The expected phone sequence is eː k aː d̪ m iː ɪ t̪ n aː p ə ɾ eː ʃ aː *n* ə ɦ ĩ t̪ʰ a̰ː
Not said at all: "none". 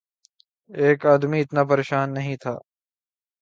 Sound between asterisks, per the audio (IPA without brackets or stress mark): nː